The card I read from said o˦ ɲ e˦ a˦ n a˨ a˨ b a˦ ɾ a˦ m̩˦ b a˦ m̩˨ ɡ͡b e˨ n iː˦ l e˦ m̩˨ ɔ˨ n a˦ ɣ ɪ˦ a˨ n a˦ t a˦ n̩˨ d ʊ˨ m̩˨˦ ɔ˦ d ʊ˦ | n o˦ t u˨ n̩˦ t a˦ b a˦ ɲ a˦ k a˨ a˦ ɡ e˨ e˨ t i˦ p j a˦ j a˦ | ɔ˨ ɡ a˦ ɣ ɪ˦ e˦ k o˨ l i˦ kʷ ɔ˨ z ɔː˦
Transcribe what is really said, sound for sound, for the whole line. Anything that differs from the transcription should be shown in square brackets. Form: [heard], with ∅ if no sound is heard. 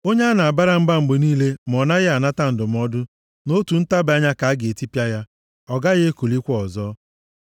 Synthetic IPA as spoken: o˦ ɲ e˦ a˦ n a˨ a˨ b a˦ ɾ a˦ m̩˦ b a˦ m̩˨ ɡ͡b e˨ n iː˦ l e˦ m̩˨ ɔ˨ n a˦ ɣ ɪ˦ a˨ n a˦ t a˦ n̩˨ d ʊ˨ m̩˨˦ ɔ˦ d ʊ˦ | n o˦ t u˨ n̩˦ t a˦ b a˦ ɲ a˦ k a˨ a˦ ɡ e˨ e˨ t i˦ p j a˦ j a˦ | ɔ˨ ɡ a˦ ɣ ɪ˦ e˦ k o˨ l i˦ kʷ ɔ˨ z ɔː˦